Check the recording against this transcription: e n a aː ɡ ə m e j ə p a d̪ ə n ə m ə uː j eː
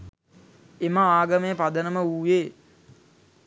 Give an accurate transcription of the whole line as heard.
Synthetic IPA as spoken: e m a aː ɡ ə m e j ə p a d̪ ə n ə m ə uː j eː